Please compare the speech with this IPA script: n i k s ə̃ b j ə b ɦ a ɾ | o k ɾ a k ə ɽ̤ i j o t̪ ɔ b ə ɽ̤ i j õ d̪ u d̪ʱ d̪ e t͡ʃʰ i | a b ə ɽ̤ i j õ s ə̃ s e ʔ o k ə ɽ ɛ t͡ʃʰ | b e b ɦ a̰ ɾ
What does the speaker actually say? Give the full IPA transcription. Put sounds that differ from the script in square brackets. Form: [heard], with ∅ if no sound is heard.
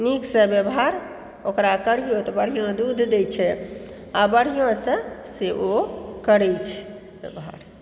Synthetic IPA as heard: n i k s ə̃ b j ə b ɦ a ɾ | o k ɾ a k ə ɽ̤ i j o t̪ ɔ b ə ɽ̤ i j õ d̪ u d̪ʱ d̪ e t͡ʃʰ [ɛ] | a b ə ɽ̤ i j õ s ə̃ s e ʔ o k ə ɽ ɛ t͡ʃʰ | b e b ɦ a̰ ɾ